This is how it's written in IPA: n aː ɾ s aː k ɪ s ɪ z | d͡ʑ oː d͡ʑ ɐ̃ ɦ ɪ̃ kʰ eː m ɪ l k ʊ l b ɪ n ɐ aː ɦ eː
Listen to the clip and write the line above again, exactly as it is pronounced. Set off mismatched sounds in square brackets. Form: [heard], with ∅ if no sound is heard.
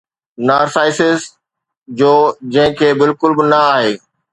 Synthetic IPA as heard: n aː ɾ s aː [∅] ɪ s ɪ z | d͡ʑ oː d͡ʑ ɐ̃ ɦ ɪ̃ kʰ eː [b] ɪ l k ʊ l b ɪ n ɐ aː ɦ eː